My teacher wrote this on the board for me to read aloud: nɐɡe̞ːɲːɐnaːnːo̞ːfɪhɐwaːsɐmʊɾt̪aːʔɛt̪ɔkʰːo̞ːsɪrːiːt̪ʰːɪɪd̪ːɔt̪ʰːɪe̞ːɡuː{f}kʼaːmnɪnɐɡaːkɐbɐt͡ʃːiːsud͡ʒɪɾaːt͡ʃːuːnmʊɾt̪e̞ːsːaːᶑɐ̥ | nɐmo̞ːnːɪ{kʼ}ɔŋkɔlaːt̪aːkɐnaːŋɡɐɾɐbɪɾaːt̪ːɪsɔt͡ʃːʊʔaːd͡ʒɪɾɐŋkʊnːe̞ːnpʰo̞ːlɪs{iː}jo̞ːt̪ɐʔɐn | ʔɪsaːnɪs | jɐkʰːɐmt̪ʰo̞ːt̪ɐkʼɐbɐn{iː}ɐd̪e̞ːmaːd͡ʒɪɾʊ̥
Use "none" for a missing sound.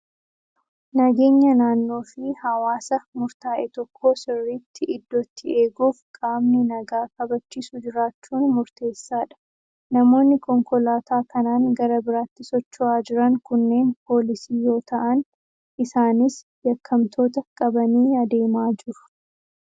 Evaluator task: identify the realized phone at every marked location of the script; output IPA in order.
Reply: f, k, iː, iː

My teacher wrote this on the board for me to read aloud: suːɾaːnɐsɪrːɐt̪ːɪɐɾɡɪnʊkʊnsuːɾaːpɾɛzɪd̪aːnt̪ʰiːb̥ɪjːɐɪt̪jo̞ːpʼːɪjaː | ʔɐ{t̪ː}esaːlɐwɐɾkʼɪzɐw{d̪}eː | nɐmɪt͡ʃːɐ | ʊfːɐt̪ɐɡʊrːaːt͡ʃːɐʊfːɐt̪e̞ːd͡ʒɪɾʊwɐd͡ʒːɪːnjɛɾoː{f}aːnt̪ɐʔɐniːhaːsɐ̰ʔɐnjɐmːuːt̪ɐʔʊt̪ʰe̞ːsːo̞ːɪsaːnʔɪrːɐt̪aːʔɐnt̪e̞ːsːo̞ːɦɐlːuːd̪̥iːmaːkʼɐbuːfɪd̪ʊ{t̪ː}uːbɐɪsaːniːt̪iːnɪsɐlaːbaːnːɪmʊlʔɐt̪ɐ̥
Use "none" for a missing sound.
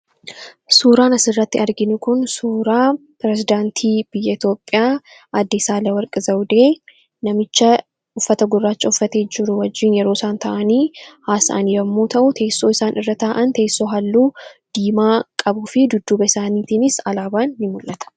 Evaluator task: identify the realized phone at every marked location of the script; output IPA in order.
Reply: d̪ː, d̪, s, d̪ː

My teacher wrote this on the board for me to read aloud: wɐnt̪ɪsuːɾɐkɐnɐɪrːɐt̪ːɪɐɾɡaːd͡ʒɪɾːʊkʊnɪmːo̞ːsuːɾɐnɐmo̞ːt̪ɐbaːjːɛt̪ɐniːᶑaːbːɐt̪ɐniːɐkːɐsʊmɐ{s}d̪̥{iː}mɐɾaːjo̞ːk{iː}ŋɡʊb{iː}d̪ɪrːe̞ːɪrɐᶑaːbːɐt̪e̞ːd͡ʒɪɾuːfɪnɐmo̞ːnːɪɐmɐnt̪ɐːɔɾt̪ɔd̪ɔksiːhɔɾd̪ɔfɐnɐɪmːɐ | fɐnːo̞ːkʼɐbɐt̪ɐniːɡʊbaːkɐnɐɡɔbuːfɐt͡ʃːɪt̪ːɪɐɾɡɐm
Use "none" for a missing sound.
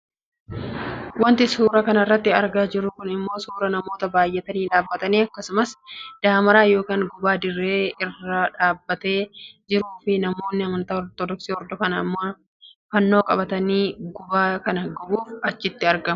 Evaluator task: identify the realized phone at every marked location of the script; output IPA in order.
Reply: s, aː, aː, aː

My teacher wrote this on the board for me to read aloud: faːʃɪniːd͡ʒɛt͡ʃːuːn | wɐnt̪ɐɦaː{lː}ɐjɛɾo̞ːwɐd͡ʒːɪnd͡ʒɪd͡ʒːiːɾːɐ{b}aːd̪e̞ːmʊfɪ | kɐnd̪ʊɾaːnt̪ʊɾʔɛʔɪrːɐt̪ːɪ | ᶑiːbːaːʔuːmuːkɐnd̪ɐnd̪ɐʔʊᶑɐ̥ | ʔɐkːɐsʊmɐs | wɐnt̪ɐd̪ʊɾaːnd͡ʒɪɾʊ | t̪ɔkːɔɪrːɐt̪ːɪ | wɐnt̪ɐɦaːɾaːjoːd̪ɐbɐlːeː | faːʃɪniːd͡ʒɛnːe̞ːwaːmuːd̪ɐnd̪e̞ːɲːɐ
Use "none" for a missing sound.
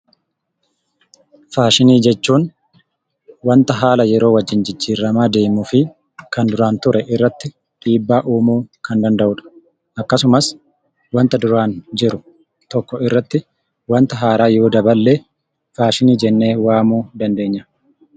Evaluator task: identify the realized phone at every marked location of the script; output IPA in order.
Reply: l, m

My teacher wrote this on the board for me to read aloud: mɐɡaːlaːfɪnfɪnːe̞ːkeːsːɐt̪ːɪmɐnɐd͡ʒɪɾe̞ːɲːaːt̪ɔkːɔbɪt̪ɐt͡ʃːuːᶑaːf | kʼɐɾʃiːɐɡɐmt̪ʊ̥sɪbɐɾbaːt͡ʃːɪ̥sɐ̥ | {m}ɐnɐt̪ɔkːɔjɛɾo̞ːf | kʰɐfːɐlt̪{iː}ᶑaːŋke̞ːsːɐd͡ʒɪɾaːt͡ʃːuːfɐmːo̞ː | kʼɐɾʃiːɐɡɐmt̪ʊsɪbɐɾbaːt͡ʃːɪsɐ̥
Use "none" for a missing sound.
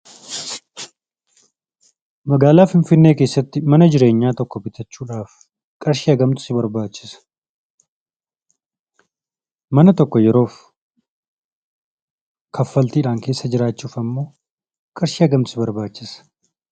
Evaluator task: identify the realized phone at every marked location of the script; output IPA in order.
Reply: m, iː

